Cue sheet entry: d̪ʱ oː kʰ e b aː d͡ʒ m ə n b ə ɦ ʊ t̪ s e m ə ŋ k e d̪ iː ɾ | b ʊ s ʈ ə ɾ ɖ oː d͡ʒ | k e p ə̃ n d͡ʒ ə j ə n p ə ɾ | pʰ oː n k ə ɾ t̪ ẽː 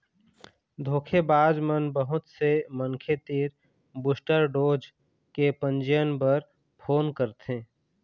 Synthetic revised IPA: d̪ʱ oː kʰ e b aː d͡ʒ m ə n b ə ɦ ʊ t̪ s e m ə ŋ kʰ e t̪ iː ɾ | b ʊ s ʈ ə ɾ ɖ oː d͡ʒ | k e p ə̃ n d͡ʒ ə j ə n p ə ɾ | pʰ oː n k ə ɾ t̪ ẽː